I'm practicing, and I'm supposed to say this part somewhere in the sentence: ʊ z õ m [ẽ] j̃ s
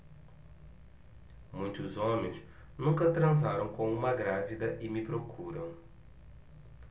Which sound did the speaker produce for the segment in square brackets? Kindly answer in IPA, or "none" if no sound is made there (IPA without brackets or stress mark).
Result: ẽ